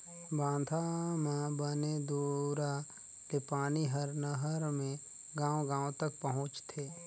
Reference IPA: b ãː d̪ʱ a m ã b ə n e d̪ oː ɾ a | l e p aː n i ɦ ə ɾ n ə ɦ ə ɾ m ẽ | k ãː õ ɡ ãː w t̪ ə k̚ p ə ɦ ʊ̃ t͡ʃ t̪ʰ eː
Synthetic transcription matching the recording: b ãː d̪ʱ a m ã b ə n e d̪ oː ɾ a | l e p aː n i ɦ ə ɾ n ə ɦ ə ɾ m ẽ | ɡ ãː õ ɡ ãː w t̪ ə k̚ p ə ɦ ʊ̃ t͡ʃ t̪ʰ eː